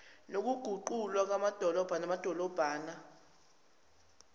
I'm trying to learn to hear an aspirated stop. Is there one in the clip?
no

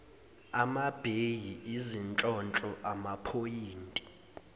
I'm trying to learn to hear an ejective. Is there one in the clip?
yes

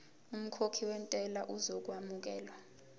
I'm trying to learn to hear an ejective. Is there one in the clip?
yes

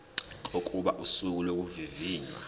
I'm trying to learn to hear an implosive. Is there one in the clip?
yes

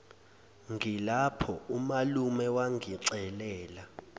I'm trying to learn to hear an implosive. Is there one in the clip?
no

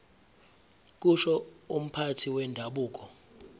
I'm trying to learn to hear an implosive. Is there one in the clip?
yes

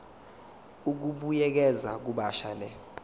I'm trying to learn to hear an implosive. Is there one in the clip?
yes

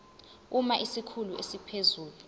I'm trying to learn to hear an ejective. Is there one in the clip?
no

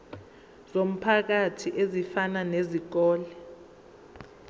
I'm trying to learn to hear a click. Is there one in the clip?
no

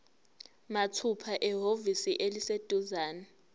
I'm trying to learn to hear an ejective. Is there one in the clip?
no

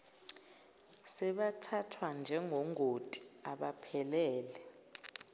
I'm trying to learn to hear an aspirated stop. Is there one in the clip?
yes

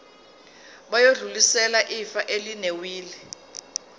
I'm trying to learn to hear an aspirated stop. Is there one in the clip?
no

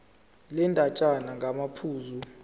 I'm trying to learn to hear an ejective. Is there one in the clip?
yes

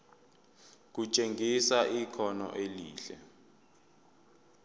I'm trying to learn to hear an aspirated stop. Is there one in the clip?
yes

